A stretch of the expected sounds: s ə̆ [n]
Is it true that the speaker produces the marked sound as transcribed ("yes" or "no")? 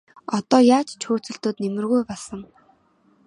no